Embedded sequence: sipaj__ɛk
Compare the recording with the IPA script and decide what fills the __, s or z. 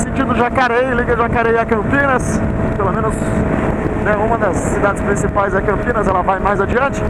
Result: z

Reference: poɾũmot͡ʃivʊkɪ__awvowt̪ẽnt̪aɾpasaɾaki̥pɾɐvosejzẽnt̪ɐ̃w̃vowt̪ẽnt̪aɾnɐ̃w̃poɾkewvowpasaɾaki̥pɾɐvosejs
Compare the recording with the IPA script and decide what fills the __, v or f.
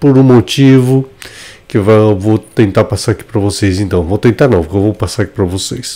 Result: v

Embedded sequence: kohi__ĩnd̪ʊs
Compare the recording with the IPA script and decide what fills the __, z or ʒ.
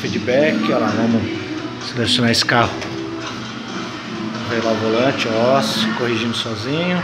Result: ʒ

